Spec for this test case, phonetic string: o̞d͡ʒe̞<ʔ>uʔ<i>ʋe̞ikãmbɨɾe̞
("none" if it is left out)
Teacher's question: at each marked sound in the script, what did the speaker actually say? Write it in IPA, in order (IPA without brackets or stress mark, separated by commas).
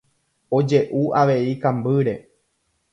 ʔ, a